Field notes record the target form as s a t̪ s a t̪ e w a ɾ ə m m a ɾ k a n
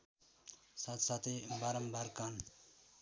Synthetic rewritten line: s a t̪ s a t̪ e b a ɾ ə m b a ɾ k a n